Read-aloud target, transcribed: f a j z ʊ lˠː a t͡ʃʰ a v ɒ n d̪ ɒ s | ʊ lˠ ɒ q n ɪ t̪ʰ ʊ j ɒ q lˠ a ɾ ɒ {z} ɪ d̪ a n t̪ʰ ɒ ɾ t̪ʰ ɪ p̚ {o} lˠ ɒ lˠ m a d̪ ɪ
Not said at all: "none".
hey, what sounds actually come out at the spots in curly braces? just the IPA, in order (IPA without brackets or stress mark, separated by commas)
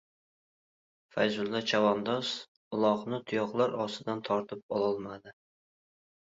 s, ɒ